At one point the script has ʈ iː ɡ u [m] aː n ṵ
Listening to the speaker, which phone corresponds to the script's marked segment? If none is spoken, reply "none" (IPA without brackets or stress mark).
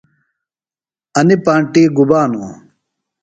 b